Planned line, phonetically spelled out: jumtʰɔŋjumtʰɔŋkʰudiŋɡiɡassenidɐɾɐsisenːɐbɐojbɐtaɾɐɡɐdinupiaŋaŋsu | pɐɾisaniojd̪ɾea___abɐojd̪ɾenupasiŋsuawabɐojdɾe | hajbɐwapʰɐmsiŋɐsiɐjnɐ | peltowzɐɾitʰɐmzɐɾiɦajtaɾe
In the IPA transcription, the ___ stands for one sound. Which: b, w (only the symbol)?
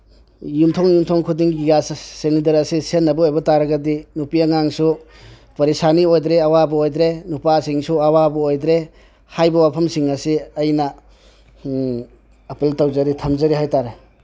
w